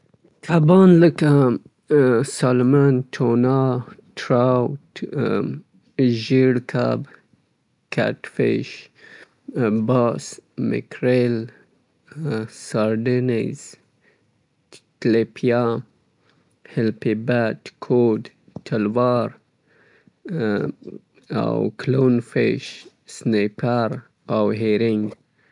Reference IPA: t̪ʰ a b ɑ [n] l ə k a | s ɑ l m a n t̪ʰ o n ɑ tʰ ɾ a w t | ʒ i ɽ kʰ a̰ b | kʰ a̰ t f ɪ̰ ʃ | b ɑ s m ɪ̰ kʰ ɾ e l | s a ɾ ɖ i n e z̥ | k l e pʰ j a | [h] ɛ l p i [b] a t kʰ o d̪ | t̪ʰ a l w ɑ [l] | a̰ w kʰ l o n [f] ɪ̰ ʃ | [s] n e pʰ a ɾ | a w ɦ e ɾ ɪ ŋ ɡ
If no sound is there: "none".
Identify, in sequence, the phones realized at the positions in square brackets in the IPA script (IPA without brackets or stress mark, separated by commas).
n, h, b, ɾ, f, s